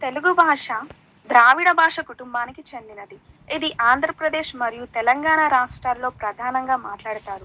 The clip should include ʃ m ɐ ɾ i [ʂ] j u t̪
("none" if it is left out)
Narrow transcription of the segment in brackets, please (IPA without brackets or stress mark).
none